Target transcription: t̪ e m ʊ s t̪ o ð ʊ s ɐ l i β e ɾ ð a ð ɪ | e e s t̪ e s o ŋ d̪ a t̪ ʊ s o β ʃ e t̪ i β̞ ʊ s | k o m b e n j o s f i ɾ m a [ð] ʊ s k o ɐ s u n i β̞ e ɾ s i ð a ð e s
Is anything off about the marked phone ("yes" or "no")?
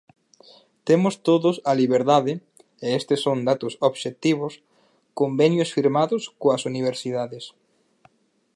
no